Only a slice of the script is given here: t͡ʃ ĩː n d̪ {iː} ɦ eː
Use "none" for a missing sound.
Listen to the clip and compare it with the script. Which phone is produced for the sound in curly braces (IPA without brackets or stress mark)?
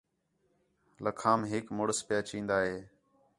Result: aː